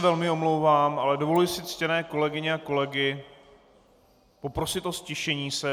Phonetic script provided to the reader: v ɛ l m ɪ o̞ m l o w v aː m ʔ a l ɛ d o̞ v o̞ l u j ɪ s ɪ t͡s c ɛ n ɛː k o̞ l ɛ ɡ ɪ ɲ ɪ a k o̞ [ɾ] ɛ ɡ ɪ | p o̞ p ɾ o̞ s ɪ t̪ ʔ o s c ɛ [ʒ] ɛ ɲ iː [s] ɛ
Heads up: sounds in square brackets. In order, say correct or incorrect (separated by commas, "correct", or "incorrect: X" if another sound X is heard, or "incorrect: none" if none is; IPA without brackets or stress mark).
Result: incorrect: l, incorrect: ʃ, correct